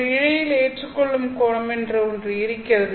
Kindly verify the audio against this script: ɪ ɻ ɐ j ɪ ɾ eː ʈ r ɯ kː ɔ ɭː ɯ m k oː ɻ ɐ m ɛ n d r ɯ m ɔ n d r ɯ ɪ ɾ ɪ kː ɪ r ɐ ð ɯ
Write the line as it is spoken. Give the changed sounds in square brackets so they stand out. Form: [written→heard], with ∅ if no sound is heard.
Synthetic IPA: ɪ ɻ ɐ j ɪ [ɾ→l] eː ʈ r ɯ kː ɔ ɭː ɯ m k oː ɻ ɐ m ɛ n d r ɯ [m→∅] ɔ n d r ɯ ɪ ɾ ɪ kː ɪ r ɐ ð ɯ